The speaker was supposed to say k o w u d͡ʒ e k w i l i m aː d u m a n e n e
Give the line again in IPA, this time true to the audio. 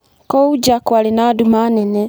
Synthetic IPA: k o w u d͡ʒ a k w a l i n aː d u m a n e n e